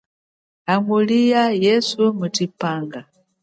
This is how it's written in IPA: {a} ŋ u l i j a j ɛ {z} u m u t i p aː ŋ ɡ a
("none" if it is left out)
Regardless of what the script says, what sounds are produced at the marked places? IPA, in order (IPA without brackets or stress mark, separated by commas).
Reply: a, s